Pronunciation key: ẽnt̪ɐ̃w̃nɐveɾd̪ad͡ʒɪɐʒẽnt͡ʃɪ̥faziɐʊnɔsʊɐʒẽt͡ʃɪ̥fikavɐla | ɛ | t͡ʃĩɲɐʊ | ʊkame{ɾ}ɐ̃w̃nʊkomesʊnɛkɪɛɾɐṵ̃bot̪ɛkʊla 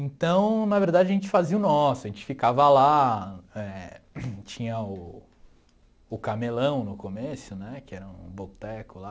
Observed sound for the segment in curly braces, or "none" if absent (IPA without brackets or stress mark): l